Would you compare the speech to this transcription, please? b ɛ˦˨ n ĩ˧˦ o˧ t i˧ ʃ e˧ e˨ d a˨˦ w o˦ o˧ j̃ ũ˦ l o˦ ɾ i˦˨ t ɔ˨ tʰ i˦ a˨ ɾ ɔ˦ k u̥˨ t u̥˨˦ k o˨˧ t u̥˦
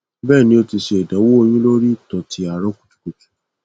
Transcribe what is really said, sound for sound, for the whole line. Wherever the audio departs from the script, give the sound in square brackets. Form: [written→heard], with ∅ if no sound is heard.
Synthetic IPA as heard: b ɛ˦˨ n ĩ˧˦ o˧ t i˧ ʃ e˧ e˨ d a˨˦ w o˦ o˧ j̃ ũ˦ l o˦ ɾ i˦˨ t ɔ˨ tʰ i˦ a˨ ɾ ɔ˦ k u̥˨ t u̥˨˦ k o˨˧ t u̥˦

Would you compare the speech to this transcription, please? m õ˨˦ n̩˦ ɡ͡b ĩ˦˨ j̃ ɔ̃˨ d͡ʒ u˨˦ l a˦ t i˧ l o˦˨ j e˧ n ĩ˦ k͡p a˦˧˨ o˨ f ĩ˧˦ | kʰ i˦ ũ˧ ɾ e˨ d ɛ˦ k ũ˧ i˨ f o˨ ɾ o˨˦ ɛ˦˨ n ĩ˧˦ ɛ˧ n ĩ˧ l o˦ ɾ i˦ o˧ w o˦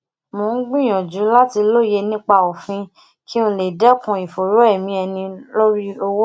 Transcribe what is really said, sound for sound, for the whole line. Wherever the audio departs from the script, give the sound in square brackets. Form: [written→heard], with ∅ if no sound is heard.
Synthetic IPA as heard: m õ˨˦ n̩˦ ɡ͡b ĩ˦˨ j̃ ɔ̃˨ d͡ʒ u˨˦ l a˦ t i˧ l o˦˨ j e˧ n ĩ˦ k͡p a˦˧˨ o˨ f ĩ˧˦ | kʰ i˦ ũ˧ [ɾ→l] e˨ d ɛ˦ k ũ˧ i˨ f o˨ ɾ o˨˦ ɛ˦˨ [n→m] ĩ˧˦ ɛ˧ n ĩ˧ l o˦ ɾ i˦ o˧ w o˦

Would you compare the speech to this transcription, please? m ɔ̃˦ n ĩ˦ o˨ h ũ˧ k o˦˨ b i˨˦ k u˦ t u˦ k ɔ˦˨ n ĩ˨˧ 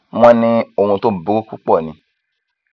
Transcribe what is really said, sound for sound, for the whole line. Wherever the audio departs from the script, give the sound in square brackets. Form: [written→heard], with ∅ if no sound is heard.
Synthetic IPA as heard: m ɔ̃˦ n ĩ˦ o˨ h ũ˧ [k→t] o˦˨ b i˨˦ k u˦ [t→k] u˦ [k→k͡p] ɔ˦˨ n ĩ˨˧

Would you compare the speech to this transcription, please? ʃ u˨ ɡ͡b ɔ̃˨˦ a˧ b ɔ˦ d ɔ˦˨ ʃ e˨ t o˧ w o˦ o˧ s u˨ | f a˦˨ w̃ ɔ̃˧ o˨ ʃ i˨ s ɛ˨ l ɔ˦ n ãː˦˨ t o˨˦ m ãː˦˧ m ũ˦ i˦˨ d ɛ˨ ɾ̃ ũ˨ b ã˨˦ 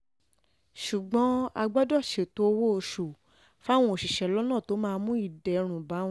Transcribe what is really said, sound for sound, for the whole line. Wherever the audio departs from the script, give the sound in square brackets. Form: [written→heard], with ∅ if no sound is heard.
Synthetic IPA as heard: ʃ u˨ ɡ͡b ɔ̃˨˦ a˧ [b→ɡ͡b] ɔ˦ d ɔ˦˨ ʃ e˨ t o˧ w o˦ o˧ [s→ʃ] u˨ | f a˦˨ w̃ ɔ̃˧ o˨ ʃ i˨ [s→ʃ] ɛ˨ l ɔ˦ n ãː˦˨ t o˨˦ m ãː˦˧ m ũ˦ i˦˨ d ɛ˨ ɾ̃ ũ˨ b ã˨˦

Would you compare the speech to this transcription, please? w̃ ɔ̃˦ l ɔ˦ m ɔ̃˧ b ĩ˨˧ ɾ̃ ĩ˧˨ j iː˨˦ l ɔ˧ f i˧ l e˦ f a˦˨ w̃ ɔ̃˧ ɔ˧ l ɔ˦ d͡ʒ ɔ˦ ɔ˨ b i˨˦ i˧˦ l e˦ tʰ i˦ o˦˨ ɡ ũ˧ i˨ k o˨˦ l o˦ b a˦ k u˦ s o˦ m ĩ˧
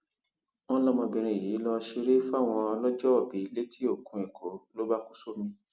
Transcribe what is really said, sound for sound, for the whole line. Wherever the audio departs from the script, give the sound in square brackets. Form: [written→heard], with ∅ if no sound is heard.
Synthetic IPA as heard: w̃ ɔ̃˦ l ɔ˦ m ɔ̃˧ b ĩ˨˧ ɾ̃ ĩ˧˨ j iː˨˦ l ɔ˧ [f→ʃ] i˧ [l→ɾ] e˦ f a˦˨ w̃ ɔ̃˧ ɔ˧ l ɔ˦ d͡ʒ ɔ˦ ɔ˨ b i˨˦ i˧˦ l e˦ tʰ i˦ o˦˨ [ɡ→k] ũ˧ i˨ k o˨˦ l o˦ b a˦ k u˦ s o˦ m ĩ˧

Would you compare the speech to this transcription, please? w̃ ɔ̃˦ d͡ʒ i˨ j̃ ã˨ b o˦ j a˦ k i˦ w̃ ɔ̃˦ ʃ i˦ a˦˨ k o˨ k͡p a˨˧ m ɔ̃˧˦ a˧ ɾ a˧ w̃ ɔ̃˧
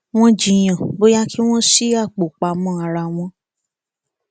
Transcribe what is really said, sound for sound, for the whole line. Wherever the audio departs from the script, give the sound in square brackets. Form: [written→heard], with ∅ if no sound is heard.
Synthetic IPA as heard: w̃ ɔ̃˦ d͡ʒ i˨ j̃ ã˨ b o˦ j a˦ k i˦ w̃ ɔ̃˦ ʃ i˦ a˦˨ [k→k͡p] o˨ k͡p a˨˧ m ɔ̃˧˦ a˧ ɾ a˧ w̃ ɔ̃˧

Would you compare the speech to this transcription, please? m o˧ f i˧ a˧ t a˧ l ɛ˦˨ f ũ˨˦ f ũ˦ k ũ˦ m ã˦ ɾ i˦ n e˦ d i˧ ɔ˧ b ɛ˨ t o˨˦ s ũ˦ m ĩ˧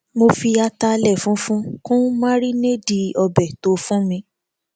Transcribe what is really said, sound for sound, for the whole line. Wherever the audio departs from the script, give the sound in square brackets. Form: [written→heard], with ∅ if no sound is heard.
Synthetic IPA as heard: m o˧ f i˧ a˧ t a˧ l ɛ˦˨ f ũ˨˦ f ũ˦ k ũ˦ m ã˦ ɾ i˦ n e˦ d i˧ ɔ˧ b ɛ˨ t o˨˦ [s→f] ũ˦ m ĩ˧

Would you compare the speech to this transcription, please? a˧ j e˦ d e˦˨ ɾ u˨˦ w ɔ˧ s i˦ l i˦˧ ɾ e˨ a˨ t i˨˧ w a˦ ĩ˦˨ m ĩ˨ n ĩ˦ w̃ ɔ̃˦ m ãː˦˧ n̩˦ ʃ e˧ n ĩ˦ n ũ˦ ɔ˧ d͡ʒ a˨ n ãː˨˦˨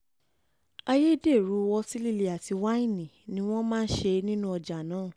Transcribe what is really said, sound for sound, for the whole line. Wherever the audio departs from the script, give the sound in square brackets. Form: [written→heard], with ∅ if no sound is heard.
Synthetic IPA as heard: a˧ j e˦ d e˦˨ ɾ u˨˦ w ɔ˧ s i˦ l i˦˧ [ɾ→l] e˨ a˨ t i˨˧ w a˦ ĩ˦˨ [m→n] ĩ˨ n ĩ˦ w̃ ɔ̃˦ m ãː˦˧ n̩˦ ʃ e˧ n ĩ˦ n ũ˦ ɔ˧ d͡ʒ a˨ n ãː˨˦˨

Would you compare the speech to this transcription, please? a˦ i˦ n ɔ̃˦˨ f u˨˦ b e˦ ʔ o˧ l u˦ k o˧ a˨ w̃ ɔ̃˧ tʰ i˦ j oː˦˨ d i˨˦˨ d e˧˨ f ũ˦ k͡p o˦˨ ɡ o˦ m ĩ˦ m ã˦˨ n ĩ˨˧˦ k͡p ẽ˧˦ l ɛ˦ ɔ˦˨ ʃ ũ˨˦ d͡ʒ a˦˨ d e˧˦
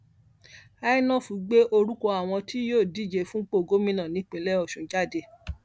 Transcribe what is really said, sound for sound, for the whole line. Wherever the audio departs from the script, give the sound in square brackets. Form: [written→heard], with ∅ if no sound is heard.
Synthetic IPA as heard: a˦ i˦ n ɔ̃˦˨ f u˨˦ [b→ɡ͡b] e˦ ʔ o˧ [l→ɾ] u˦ k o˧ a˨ w̃ ɔ̃˧ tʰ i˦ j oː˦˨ d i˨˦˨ [d→d͡ʒ] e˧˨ f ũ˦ k͡p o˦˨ ɡ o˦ m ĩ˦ [m→n] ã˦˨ n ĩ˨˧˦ k͡p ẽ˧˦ l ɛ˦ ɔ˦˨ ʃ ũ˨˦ d͡ʒ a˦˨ d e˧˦

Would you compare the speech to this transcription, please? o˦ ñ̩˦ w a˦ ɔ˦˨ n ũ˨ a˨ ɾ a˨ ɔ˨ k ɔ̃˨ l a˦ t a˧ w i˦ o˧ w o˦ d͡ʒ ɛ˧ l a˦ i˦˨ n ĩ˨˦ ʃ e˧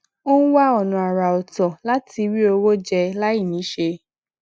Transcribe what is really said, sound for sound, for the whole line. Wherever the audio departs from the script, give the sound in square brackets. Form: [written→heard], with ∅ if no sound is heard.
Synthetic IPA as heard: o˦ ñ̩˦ w a˦ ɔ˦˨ n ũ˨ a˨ ɾ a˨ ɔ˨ [k→t] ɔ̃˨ l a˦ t [a˧→i˧] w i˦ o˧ w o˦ d͡ʒ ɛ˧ l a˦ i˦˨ n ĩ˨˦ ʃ e˧

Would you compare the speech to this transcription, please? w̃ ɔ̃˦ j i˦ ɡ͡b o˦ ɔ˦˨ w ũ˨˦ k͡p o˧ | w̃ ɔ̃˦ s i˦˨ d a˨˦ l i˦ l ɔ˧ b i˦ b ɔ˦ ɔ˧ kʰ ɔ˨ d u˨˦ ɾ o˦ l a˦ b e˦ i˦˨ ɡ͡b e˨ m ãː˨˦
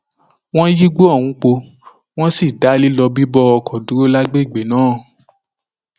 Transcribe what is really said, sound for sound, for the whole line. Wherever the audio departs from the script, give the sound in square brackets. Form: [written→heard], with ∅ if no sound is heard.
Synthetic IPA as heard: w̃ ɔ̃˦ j i˦ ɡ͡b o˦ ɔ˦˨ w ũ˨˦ k͡p o˧ | w̃ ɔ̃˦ s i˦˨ d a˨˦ l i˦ l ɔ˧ b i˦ b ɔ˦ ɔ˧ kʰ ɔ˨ d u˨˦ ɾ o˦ l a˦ [b→ɡ͡b] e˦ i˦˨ ɡ͡b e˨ [m→n] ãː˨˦

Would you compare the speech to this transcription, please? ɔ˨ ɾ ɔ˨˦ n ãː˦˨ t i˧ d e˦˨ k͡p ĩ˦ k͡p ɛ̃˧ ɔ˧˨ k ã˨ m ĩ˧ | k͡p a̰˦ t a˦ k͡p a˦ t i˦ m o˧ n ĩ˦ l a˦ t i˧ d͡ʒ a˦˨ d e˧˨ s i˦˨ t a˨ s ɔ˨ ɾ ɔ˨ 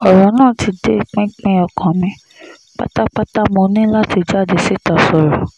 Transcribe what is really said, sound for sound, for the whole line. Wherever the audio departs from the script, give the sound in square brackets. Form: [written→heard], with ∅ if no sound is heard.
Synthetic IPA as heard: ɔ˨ ɾ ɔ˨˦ n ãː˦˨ t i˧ d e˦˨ k͡p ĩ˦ k͡p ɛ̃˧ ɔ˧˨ k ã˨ m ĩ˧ | k͡p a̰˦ t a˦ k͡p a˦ t [i˦→a˦] m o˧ n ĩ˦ l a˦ t i˧ d͡ʒ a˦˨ d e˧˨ s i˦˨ t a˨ s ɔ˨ ɾ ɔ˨

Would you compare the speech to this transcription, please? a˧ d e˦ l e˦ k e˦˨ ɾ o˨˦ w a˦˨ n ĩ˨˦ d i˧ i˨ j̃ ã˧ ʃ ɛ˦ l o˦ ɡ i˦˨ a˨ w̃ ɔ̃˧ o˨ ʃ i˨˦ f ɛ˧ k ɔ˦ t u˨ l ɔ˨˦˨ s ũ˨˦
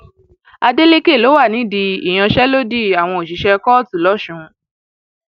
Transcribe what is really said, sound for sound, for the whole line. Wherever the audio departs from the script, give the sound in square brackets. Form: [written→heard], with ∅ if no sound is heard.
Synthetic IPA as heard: a˧ d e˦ l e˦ k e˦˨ [ɾ→l] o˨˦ w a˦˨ n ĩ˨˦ d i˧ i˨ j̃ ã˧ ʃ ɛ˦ l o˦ [ɡ→d] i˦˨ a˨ w̃ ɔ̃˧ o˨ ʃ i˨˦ [f→ʃ] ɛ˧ k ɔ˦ t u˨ l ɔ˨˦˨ [s→ʃ] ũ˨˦

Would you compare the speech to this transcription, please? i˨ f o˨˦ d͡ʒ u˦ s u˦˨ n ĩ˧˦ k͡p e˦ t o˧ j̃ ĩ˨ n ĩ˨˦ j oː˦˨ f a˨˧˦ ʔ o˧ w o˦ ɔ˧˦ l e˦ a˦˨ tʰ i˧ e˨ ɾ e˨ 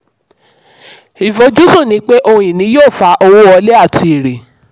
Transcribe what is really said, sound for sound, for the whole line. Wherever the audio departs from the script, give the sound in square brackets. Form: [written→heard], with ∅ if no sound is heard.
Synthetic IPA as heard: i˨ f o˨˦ d͡ʒ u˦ s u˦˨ n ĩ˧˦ k͡p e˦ [t→ʔ] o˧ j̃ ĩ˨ n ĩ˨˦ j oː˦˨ f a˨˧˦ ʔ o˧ w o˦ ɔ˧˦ l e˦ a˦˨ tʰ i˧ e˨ ɾ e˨

